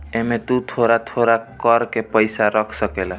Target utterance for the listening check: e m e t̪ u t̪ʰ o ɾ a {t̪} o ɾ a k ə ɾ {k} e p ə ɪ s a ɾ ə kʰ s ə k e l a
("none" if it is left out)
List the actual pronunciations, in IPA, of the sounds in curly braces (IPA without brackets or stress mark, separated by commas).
t̪ʰ, k